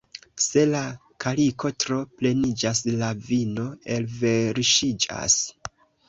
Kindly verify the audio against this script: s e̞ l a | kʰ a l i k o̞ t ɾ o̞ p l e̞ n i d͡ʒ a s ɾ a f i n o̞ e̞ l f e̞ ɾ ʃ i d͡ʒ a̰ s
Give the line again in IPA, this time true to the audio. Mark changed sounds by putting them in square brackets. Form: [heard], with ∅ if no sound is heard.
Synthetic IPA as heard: s e̞ l a | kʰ a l i k o̞ t ɾ o̞ p l e̞ n i d͡ʒ a s [l] a [v] i n o̞ e̞ l [v] e̞ ɾ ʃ i d͡ʒ a̰ s